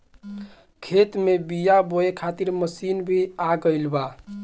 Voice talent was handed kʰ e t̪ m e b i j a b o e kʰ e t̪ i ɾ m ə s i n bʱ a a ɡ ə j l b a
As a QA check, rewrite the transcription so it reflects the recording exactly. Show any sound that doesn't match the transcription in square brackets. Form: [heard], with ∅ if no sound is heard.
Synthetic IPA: kʰ e t̪ m e b i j a b o e kʰ [a] t̪ i ɾ m ə s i n bʱ [i] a ɡ ə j l b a